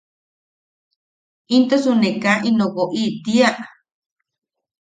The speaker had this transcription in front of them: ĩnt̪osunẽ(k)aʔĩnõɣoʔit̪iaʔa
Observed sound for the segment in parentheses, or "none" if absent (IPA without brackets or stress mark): k